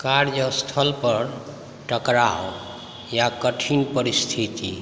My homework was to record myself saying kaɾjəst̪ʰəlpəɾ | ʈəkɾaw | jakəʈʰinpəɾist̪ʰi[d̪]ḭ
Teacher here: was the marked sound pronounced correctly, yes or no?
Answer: no